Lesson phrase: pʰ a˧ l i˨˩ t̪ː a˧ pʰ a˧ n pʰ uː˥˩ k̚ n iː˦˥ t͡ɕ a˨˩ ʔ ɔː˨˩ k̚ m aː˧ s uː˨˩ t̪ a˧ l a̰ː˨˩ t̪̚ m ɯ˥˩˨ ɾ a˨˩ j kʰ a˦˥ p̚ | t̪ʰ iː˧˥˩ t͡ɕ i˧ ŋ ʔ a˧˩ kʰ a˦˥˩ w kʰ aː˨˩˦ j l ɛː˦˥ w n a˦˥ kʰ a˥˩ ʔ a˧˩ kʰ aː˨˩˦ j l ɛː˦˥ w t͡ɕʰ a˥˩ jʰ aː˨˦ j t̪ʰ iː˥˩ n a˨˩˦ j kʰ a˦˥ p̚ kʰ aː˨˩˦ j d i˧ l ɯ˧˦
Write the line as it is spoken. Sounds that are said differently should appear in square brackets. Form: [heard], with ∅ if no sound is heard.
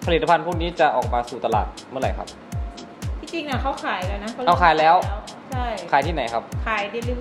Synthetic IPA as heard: pʰ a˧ l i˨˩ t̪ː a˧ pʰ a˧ n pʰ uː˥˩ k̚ n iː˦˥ t͡ɕ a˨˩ ʔ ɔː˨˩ k̚ m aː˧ s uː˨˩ t̪ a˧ l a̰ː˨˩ t̪̚ m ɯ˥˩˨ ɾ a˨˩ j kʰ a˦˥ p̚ | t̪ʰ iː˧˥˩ t͡ɕ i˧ ŋ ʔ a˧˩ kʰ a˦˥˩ w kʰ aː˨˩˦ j l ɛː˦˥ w n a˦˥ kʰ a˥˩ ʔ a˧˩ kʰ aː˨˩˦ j l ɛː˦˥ w t͡ɕʰ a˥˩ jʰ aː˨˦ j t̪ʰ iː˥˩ n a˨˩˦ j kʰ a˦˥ p̚ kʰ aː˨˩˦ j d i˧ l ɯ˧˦